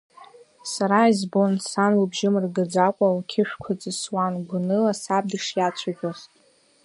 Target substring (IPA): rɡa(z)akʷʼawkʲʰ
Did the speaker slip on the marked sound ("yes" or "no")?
yes